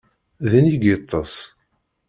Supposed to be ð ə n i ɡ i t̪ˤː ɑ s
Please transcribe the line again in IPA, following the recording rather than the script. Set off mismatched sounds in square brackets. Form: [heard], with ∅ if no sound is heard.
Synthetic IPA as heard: ð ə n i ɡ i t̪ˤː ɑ s